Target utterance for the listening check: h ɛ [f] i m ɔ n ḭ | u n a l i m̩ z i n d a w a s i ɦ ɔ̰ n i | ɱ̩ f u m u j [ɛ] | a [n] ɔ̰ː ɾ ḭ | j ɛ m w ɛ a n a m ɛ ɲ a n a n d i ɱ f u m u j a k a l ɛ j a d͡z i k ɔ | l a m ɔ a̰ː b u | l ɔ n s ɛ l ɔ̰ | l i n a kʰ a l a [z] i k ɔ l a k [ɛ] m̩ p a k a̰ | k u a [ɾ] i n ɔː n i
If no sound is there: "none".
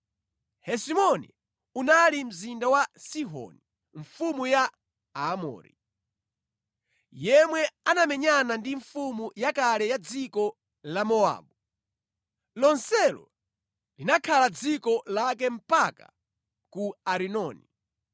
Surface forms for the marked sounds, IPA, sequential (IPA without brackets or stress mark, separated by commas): s, a, m, d͡z, ɛ, ɾ